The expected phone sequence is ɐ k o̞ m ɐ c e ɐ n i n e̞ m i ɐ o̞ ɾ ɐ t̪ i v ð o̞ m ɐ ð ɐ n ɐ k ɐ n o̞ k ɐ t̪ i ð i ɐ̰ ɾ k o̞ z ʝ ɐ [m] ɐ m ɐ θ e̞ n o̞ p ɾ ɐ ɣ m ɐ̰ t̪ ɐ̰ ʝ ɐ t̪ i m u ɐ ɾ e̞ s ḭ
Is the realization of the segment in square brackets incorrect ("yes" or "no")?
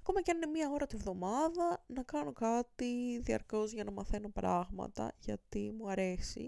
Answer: yes